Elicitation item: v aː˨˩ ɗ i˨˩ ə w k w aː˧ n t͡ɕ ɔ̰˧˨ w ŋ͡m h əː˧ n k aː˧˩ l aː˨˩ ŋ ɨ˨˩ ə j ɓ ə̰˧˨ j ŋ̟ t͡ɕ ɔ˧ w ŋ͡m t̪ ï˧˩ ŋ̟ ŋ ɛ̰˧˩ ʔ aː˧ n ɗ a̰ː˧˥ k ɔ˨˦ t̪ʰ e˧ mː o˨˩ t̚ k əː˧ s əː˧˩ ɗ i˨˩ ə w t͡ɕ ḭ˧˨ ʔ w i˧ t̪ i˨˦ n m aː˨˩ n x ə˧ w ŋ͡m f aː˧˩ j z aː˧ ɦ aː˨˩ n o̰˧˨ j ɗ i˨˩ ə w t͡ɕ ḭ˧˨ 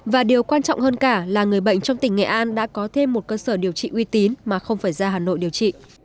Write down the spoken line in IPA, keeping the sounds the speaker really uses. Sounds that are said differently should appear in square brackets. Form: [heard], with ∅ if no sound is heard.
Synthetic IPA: v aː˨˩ ɗ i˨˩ ə w k w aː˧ n t͡ɕ ɔ̰˧˨ w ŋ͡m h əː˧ n k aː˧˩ l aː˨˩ ŋ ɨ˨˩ ə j ɓ ə̰˧˨ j ŋ̟ t͡ɕ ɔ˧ w ŋ͡m t̪ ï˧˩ ŋ̟ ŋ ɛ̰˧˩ ʔ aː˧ n ɗ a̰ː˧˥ k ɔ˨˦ t̪ʰ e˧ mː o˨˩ t̚ k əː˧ s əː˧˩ ɗ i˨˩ ə w t͡ɕ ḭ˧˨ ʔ w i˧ t̪ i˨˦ n m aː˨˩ [∅] x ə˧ w ŋ͡m f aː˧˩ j z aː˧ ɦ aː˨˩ n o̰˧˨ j ɗ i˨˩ ə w t͡ɕ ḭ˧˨